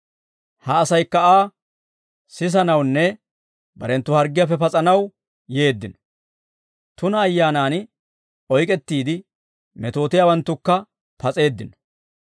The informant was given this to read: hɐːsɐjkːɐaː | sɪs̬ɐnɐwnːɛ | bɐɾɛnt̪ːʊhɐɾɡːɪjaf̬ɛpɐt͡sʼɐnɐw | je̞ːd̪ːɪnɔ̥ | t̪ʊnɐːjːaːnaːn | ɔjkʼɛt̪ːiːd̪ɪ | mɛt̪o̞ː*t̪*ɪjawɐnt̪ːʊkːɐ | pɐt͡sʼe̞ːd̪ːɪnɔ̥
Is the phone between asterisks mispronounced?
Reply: no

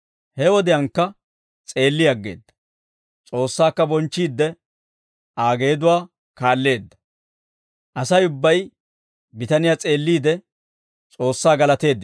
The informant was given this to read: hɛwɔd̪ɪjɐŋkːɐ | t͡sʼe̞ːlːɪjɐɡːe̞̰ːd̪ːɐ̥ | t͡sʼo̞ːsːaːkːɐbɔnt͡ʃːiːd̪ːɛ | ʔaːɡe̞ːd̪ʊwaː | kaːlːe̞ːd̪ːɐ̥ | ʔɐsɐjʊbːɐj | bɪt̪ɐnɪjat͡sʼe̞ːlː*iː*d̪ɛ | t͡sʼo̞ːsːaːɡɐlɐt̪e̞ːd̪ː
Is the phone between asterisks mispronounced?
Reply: no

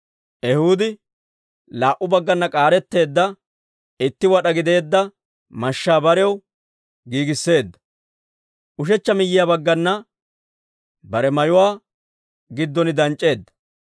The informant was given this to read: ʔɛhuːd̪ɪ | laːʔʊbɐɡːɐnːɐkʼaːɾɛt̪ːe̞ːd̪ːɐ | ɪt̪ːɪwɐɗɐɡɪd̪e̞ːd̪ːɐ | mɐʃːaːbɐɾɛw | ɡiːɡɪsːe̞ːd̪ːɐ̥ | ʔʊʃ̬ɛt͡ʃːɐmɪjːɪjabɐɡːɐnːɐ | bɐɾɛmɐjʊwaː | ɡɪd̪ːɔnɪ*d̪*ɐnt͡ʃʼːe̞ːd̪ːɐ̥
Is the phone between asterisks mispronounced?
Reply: no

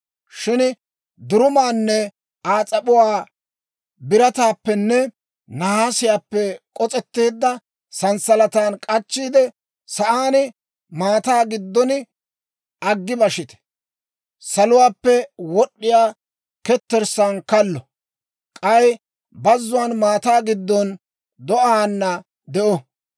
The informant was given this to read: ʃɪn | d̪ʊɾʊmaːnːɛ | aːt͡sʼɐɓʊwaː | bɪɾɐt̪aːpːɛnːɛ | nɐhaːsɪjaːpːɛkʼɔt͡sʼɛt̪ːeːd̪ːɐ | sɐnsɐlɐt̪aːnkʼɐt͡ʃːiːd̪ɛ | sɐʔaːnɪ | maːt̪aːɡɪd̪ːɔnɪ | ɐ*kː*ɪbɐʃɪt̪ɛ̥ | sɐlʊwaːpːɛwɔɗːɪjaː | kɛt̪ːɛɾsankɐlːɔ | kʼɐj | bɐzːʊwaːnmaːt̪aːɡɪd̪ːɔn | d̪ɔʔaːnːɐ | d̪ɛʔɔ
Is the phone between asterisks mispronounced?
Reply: yes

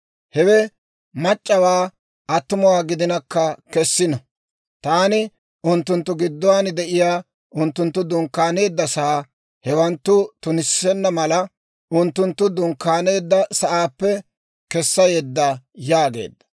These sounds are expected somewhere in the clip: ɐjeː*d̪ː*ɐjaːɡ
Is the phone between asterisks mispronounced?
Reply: no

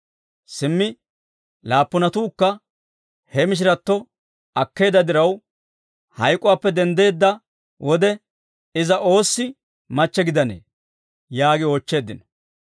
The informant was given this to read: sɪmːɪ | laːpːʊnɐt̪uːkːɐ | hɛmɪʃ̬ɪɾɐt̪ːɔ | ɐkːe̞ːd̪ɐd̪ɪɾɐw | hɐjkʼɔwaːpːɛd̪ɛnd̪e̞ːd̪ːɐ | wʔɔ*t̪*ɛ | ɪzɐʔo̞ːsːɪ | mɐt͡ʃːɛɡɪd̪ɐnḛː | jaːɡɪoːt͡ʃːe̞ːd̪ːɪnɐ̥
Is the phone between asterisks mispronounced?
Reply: yes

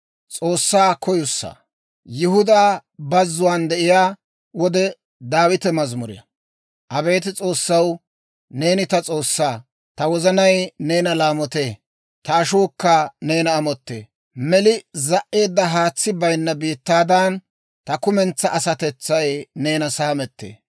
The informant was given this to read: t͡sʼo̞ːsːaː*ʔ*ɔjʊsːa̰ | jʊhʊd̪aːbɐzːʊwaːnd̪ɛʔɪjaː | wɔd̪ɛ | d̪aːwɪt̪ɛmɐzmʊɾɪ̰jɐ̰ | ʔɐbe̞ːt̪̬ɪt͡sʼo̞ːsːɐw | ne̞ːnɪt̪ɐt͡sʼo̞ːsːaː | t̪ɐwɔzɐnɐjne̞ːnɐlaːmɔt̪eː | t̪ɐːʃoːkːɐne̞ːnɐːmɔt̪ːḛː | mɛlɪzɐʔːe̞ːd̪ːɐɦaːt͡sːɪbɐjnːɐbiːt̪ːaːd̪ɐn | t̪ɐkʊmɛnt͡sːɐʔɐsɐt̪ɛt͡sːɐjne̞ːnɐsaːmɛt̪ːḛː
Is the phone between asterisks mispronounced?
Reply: yes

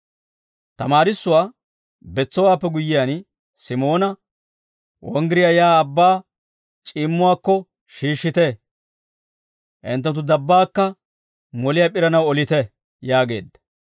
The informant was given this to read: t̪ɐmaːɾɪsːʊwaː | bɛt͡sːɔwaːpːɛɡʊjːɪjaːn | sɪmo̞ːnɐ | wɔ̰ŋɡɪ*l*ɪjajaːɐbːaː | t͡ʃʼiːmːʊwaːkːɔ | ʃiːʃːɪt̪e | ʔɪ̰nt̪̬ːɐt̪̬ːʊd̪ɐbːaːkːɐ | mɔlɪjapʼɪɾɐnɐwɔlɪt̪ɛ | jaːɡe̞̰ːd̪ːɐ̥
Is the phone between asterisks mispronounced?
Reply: yes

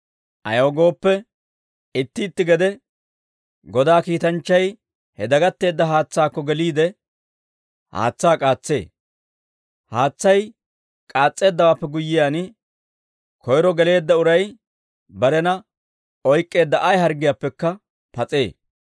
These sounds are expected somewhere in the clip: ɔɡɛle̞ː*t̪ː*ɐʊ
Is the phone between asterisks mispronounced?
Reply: yes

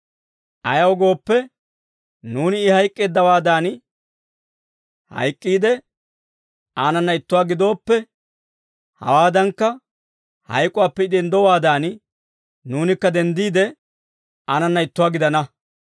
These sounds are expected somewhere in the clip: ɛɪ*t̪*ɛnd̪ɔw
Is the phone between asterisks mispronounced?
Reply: yes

